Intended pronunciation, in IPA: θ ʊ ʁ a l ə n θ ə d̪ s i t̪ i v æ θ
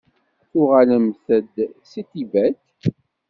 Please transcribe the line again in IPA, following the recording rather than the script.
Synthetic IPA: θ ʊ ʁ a l ə m θ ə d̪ s i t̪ i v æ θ